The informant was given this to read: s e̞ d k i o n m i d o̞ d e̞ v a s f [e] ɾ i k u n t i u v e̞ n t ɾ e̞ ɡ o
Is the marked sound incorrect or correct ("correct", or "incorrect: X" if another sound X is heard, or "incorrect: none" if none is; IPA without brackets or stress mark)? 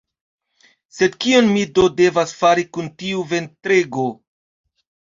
incorrect: a